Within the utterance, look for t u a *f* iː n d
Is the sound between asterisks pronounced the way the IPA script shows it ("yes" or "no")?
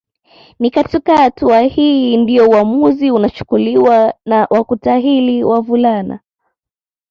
no